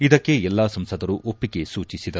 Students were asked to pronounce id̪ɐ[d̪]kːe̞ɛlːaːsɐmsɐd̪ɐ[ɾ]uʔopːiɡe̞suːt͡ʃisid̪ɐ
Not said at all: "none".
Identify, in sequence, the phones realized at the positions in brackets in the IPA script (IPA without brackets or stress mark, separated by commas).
none, ɾ